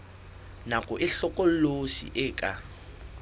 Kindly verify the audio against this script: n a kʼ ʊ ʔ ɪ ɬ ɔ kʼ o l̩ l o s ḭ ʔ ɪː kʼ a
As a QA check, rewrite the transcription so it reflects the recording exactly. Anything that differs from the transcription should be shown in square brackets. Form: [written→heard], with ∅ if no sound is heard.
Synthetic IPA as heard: n a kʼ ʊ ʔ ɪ ɬ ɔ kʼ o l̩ l o s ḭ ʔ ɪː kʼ a